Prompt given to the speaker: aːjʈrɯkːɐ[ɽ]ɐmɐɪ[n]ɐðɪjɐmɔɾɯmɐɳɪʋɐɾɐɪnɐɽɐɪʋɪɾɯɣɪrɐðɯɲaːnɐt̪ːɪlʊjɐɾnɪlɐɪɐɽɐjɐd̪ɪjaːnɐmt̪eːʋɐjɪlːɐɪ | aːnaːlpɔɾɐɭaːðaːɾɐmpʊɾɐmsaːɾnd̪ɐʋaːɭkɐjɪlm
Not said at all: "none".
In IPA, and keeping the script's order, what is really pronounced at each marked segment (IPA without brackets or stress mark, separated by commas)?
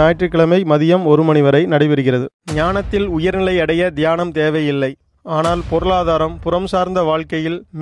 ɭ, m